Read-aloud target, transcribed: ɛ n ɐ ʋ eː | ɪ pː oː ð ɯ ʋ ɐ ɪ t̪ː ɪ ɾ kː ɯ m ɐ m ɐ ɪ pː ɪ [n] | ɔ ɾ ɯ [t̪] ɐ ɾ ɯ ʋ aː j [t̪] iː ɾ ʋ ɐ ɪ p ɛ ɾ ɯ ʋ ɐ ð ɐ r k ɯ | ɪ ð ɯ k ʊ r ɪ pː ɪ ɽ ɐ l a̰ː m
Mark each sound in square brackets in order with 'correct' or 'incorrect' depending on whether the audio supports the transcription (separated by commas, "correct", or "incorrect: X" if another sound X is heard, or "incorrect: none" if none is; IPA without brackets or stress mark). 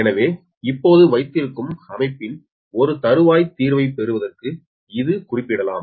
correct, correct, correct